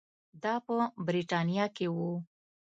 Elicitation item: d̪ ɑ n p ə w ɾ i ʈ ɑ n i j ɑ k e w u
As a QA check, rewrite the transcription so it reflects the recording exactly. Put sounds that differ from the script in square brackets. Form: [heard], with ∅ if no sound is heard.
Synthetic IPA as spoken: d̪ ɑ [∅] p ə [b] ɾ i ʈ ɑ n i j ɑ k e w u